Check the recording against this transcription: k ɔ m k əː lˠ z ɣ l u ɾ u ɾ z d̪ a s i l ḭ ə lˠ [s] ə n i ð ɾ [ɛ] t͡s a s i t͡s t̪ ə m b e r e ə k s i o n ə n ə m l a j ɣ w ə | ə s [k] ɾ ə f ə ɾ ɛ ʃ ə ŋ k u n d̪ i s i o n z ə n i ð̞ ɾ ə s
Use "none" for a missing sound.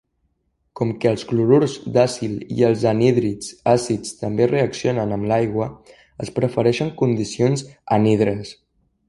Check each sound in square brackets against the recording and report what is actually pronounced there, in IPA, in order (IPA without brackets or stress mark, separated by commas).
z, i, p